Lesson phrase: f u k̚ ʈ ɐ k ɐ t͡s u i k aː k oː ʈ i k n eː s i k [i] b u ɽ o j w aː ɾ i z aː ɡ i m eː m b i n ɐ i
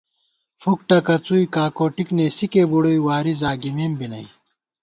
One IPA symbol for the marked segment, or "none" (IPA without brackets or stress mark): e